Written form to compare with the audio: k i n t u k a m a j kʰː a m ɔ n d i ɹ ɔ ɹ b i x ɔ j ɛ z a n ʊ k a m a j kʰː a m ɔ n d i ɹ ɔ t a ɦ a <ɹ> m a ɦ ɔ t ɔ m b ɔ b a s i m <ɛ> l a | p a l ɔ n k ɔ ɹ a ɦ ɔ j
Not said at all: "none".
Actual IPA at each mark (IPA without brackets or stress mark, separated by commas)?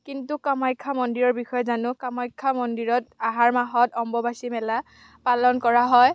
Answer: ɹ, ɛ